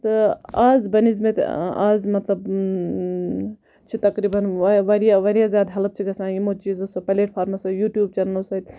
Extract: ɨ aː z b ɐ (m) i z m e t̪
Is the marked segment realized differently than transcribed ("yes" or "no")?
yes